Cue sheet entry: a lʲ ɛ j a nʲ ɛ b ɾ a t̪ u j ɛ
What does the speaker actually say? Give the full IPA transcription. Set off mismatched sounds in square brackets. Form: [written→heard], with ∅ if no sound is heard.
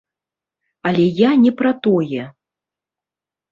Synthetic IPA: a lʲ ɛ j a nʲ ɛ [b→p] ɾ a t̪ [u→ɔ] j ɛ